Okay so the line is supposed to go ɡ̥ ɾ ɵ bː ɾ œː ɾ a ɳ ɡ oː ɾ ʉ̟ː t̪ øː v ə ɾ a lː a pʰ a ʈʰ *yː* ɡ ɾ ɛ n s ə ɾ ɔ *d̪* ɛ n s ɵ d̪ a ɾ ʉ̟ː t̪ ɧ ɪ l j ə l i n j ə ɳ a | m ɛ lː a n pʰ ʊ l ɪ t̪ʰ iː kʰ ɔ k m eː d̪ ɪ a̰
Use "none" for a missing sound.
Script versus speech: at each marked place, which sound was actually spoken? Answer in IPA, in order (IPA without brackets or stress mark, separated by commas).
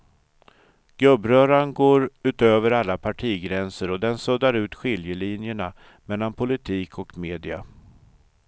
iː, d̪